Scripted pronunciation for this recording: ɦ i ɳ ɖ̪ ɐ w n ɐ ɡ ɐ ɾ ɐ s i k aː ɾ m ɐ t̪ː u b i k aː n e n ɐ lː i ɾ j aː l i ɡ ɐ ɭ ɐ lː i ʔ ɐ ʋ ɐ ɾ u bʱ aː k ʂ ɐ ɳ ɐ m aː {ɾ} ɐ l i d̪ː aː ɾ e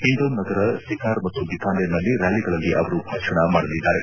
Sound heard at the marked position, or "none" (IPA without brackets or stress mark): ɽ